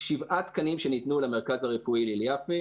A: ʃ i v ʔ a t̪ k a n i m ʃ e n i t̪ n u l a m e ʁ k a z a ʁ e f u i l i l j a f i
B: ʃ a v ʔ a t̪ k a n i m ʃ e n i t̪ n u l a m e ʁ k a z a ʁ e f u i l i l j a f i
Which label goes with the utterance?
A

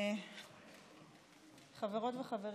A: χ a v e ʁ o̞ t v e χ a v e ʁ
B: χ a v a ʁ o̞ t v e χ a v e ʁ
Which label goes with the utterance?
A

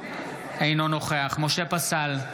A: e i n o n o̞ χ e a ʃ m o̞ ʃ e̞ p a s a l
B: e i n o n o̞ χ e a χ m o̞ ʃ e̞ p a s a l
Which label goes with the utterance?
B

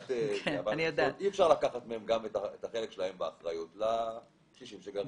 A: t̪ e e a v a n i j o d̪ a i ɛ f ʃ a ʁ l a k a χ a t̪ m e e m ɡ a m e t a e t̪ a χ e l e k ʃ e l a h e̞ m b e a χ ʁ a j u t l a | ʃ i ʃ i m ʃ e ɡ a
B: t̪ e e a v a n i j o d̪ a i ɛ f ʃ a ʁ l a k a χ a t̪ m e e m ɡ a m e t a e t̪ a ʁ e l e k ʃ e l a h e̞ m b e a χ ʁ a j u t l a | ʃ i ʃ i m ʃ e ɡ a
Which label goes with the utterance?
A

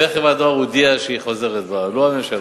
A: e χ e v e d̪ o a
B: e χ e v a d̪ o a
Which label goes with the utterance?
B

